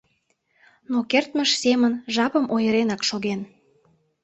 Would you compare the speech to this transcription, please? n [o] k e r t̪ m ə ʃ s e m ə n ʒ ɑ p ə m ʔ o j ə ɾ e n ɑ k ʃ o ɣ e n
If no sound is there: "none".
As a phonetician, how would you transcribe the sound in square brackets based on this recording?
o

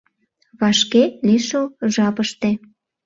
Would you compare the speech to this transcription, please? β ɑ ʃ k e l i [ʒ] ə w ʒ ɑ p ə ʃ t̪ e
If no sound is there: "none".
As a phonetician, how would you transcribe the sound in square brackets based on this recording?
ʃ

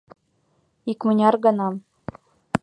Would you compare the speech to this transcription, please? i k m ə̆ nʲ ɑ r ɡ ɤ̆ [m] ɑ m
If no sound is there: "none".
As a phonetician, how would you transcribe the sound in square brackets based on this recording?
n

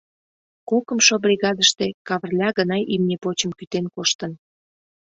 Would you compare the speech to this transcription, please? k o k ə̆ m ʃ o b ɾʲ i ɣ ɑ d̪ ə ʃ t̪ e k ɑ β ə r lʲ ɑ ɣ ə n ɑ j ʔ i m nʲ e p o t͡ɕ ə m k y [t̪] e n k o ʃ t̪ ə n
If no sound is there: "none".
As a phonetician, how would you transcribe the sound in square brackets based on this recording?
t̪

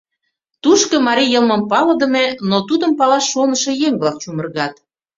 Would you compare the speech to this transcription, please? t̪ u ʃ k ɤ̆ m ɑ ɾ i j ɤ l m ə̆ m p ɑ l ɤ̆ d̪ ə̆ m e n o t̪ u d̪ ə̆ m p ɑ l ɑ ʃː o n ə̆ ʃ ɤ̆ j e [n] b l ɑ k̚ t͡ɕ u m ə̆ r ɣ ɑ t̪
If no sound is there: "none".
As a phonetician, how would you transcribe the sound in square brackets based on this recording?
ŋ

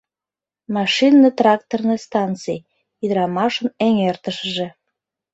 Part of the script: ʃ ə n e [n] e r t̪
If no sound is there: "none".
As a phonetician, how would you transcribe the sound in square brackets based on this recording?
ŋ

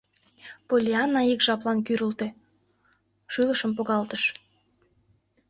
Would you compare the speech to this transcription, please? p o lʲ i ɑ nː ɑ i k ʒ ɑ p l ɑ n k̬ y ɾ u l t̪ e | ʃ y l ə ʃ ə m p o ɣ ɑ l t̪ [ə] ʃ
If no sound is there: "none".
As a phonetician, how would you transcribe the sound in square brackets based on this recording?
ə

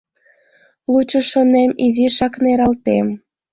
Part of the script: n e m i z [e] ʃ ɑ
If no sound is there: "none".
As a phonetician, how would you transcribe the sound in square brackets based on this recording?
i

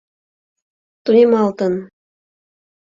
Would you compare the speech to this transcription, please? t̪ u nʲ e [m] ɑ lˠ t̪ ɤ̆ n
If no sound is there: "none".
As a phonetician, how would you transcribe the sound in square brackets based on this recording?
m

